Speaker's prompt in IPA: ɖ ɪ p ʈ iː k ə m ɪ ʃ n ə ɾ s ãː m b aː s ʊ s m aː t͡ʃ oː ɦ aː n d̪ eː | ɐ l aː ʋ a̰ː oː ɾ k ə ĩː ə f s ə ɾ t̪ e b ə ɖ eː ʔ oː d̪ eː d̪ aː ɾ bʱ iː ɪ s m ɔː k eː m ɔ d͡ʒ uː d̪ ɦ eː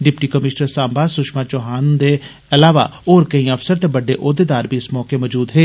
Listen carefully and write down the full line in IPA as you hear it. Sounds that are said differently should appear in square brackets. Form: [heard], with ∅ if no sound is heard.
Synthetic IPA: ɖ ɪ p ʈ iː k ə m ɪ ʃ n ə ɾ s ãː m b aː s ʊ [ʃ] m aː t͡ʃ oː ɦ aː n d̪ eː | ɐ l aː ʋ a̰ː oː ɾ k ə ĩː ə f s ə ɾ t̪ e b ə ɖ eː ʔ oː d̪ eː d̪ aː ɾ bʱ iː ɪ s m ɔː k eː m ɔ d͡ʒ uː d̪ ɦ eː